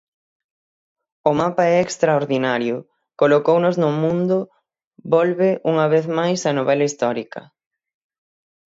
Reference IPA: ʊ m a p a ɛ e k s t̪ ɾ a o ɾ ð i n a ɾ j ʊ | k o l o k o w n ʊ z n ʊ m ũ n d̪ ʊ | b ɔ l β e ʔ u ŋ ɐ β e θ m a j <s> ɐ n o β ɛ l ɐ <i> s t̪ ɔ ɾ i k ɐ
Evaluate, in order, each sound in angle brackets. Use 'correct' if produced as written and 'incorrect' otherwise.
correct, correct

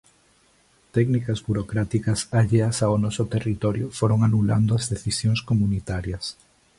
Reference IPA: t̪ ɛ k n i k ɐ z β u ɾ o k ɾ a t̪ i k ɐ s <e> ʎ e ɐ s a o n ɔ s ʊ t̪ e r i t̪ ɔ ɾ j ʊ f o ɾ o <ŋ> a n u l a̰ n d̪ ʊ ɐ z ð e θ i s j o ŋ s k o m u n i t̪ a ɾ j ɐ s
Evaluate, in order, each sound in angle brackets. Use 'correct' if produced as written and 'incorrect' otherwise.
incorrect, correct

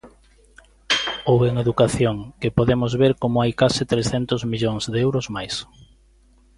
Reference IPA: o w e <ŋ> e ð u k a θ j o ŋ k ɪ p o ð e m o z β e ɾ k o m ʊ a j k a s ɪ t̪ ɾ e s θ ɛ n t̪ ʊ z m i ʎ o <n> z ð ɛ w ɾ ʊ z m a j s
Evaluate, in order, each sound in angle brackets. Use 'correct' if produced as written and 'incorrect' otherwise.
correct, incorrect

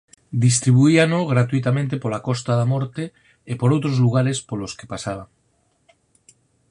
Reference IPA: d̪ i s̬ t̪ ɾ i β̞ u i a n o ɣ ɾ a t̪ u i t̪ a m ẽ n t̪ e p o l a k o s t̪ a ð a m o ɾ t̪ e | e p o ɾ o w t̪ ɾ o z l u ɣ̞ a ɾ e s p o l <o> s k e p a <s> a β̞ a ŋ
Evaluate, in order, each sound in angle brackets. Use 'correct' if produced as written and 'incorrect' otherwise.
correct, correct

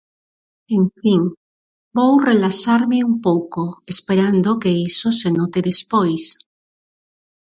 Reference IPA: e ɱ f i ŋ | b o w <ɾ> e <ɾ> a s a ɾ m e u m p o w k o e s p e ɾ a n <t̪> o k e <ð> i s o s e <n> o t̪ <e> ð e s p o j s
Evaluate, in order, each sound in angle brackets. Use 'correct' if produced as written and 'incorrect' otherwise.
incorrect, incorrect, incorrect, incorrect, correct, correct

